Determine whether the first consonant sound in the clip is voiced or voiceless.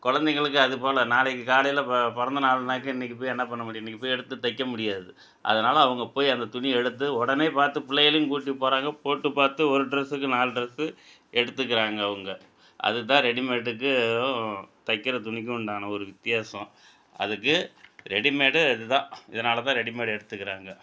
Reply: voiceless